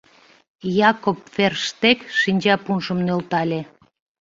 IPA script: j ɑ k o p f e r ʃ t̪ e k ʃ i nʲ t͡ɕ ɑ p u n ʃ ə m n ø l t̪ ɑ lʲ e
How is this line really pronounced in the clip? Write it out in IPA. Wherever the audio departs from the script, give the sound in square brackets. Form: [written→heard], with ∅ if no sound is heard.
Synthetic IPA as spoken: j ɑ k o p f e r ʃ t̪ e k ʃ i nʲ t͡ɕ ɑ p u n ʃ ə m n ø l t̪ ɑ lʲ e